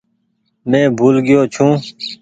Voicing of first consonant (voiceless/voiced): voiced